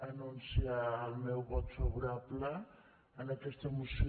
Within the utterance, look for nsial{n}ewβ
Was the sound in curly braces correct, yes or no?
no